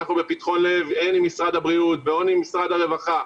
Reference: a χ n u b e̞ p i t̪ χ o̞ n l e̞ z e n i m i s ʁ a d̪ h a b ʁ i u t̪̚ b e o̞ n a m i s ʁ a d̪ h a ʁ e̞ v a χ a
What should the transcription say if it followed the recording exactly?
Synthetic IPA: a χ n u b e̞ p i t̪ χ o̞ n l e̞ v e n i m i s ʁ a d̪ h a b ʁ i u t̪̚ b e o̞ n i m i s ʁ a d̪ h a ʁ e̞ v a χ a